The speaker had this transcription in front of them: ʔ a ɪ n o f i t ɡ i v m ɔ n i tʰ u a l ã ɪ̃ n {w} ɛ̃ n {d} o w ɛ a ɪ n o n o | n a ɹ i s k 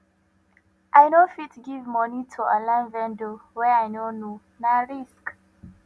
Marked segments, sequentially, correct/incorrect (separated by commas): incorrect, correct